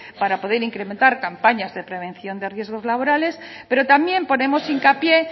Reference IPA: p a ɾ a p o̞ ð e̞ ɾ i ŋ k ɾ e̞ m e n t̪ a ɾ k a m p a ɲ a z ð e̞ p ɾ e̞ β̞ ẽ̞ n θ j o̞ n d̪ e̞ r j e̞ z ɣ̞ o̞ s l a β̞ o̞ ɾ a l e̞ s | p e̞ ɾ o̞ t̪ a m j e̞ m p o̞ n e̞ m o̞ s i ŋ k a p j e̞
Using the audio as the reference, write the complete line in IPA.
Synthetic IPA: p a ɾ a p o̞ ð e̞ ɾ i ŋ k ɾ e̞ m e n t̪ a ɾ k a m p a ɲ a z ð e̞ p ɾ e̞ β̞ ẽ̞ n θ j o̞ n d̪ e̞ r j e̞ z ɣ̞ o̞ z l a β̞ o̞ ɾ a l e̞ s | p e̞ ɾ o̞ t̪ a m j e̞ m p o̞ n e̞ m o̞ s i ŋ k a p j e̞